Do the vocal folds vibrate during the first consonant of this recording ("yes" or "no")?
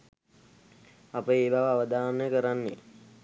no